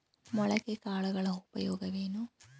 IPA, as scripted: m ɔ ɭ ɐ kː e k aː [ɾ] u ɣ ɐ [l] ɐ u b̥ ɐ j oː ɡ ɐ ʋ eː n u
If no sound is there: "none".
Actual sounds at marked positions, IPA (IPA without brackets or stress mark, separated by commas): ɭ, ɭ